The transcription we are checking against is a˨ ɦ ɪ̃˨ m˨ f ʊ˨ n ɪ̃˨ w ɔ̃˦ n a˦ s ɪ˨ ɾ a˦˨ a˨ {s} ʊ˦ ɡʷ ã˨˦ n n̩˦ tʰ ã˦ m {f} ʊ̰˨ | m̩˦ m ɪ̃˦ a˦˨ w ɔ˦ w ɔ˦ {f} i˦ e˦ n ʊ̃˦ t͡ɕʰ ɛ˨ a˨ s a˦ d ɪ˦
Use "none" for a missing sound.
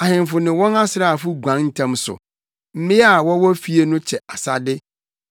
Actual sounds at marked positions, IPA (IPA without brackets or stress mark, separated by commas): f, s, f